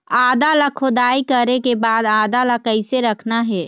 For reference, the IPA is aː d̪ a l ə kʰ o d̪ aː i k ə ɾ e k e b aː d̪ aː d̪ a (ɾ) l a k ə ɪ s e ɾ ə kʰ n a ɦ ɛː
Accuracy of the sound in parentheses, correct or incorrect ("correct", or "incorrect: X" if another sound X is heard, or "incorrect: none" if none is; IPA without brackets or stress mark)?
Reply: incorrect: none